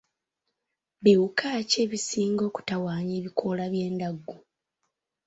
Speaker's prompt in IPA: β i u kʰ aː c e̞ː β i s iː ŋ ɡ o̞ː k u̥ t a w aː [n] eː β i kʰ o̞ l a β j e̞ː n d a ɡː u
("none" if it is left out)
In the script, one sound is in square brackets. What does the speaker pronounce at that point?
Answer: ɲ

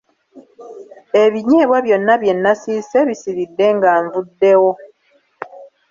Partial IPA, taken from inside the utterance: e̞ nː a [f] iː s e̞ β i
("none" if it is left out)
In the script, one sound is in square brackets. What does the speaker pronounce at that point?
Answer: s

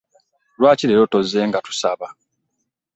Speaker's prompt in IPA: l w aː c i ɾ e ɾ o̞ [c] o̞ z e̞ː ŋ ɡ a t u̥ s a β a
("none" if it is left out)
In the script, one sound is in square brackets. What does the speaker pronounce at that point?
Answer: t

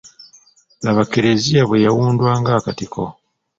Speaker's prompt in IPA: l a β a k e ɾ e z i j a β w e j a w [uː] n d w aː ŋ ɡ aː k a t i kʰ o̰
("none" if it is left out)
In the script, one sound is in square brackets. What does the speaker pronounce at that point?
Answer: uː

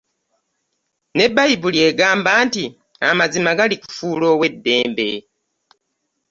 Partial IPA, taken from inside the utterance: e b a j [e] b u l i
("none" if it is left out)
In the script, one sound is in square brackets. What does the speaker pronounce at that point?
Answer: i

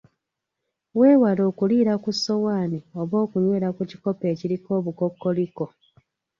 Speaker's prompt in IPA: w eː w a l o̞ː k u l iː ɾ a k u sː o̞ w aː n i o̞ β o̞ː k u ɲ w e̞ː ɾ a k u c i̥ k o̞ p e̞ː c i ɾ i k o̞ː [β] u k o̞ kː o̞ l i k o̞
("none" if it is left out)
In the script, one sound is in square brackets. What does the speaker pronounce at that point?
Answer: β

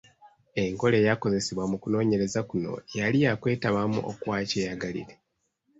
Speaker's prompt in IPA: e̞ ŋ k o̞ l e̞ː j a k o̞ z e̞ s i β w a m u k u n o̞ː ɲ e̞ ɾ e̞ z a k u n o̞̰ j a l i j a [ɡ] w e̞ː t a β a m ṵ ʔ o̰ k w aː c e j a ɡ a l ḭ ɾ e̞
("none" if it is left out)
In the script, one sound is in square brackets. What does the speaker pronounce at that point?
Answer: k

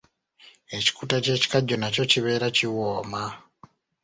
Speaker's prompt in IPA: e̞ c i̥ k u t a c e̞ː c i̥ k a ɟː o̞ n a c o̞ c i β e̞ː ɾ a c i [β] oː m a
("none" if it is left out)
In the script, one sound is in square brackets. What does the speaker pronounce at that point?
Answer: w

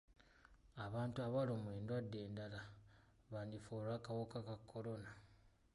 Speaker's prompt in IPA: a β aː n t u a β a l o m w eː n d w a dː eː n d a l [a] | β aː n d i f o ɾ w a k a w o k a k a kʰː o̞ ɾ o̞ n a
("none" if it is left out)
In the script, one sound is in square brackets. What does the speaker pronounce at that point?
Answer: a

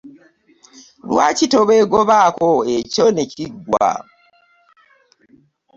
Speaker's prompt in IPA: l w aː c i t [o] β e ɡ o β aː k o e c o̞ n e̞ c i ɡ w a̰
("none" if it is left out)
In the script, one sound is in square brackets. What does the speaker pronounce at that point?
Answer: o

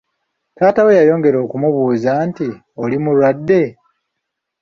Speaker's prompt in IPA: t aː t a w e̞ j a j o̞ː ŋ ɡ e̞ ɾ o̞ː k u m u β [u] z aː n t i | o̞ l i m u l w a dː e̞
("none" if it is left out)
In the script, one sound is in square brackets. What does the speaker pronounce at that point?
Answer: uː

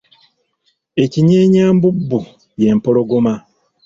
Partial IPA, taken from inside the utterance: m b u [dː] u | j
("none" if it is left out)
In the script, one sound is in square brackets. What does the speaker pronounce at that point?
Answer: bː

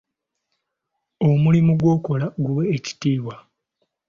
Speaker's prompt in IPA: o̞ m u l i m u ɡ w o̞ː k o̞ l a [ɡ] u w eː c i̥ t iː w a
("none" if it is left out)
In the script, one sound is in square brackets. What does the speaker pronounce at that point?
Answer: ɡ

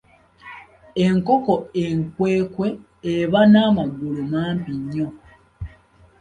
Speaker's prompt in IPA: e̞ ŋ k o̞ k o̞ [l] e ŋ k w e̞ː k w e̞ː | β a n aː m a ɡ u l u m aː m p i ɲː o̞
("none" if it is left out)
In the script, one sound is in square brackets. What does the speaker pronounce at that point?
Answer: none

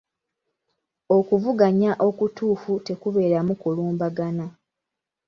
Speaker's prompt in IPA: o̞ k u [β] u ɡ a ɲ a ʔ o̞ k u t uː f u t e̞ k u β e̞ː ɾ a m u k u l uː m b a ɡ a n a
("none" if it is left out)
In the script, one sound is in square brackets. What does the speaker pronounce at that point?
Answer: v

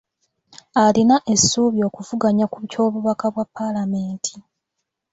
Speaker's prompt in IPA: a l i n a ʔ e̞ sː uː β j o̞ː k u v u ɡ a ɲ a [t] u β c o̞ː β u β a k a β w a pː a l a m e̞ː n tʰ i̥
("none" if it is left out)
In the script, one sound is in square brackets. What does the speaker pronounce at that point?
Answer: k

